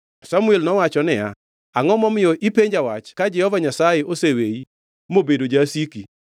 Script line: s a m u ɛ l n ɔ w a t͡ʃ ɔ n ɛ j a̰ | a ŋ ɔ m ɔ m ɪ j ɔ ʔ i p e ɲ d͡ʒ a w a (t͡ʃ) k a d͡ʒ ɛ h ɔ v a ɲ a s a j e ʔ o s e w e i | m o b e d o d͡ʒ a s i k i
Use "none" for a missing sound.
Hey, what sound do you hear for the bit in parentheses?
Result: t͡ʃ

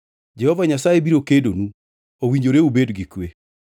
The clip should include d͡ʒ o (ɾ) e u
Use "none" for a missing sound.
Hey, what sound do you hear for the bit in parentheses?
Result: ɾ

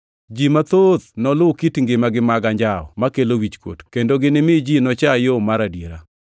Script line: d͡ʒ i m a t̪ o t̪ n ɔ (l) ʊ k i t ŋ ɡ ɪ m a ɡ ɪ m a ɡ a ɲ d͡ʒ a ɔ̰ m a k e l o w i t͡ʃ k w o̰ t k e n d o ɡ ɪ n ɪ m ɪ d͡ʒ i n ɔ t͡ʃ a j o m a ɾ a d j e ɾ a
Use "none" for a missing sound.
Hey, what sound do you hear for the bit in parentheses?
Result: l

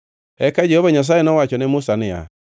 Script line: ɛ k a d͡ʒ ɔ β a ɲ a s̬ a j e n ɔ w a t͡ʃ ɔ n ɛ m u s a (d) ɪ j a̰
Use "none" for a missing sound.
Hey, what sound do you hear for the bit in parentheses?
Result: n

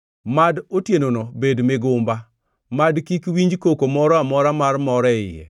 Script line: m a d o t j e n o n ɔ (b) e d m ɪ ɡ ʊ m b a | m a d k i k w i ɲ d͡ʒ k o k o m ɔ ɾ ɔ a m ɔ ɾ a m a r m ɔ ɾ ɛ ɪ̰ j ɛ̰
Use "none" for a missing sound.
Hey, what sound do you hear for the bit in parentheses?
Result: b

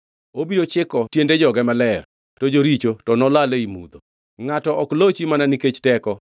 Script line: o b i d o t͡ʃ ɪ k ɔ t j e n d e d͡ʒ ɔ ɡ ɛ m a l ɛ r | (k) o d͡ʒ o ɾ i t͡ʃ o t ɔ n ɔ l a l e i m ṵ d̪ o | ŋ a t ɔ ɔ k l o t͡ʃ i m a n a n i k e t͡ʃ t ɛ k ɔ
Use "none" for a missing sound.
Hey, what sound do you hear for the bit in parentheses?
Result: t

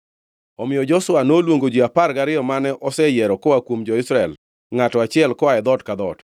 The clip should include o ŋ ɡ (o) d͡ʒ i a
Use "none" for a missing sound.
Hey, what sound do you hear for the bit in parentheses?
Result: o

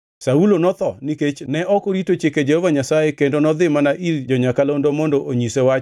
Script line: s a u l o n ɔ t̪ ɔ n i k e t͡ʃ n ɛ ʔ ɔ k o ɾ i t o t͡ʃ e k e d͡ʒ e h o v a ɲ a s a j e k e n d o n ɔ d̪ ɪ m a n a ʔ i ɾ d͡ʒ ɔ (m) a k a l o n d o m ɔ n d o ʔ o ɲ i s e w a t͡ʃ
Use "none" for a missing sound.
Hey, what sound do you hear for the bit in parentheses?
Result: ɲ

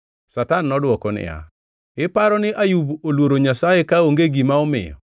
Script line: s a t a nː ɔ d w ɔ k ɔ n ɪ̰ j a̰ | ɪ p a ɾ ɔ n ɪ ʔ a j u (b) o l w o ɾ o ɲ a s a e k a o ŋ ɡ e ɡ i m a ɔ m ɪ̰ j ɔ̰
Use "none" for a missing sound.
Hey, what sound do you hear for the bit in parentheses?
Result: b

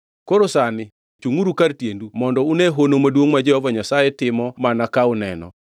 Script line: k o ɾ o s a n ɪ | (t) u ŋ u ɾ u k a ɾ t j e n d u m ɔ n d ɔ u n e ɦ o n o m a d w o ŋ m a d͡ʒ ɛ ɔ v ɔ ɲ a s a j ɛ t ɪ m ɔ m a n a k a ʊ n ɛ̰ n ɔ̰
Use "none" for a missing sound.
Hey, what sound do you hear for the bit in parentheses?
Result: t͡ʃ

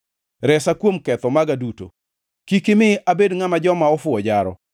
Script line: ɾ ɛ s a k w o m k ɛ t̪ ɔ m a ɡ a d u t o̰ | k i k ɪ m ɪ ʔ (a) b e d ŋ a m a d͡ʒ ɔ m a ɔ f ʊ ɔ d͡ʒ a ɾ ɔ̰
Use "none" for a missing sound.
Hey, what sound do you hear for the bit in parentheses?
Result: a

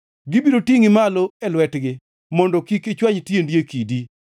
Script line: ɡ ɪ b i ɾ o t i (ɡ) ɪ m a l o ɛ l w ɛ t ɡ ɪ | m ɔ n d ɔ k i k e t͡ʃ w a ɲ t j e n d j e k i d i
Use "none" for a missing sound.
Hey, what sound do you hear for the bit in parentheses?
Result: ŋ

